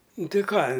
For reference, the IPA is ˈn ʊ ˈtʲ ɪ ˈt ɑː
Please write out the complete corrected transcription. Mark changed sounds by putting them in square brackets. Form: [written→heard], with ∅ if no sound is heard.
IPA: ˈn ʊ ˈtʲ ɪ [ˈt→ˈk] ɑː